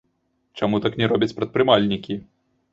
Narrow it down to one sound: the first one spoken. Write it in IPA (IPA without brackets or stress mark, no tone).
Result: t͡ʂ